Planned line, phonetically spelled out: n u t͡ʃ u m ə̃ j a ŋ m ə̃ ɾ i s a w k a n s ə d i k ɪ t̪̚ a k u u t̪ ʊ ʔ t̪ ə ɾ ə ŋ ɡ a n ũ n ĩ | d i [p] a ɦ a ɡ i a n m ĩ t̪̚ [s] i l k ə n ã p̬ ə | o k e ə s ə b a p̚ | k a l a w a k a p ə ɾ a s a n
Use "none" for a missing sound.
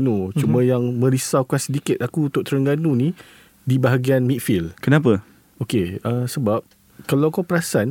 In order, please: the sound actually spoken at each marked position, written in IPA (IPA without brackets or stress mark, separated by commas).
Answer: b, f